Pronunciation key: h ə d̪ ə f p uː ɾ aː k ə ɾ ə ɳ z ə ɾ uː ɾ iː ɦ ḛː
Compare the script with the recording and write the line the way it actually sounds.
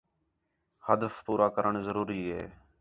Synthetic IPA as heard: h ə d̪ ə f p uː ɾ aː k ə ɾ ə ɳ z ə ɾ uː ɾ iː ɦ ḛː